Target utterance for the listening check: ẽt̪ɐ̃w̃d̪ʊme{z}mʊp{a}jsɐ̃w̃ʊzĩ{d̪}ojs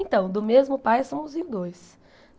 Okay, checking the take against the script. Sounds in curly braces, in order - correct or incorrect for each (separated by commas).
correct, correct, correct